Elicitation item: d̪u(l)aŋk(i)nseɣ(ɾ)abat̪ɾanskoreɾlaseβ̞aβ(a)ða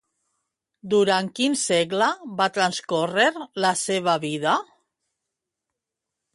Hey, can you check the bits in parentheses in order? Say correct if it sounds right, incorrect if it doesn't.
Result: incorrect: ɾ, correct, incorrect: l, incorrect: i

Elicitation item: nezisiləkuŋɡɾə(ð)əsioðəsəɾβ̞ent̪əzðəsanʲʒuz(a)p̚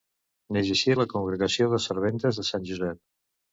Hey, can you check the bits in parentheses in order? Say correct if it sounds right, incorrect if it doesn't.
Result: incorrect: ɣ, incorrect: ɛ

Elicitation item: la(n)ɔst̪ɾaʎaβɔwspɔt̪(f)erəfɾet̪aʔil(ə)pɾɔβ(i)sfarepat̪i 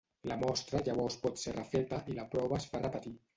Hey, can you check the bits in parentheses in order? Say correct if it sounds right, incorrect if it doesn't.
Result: incorrect: m, incorrect: s, incorrect: a, incorrect: a

